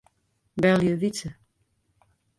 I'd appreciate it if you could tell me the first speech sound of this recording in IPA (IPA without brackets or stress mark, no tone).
b